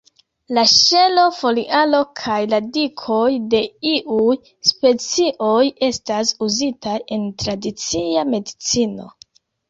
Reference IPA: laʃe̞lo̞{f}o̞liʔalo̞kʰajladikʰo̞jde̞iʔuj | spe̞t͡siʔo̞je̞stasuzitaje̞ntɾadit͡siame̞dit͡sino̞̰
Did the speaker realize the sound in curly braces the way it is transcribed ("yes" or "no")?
yes